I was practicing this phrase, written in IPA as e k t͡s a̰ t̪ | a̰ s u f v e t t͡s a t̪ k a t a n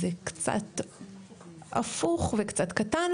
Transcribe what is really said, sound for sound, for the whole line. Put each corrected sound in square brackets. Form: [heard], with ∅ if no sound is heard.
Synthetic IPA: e k t͡s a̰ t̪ | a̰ [f] u [χ] v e [k] t͡s a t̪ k a t a n